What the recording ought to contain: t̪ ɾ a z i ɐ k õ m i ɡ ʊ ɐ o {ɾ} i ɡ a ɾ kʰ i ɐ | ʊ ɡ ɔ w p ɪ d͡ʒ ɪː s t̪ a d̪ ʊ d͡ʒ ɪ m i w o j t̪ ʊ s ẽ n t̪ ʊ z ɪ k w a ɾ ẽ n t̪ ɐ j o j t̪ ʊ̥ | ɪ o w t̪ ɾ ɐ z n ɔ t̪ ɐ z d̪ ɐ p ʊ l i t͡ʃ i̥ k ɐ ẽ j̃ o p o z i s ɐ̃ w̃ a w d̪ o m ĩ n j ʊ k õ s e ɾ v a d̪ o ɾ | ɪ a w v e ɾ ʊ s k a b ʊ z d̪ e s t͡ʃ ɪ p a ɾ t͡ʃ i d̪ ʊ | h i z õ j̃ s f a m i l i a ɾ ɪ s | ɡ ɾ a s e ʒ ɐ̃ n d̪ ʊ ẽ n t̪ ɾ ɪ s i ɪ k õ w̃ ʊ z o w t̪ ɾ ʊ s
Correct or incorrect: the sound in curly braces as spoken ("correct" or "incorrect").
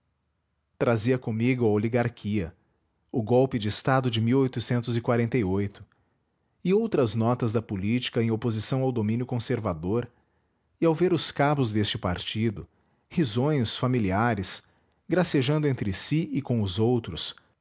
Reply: incorrect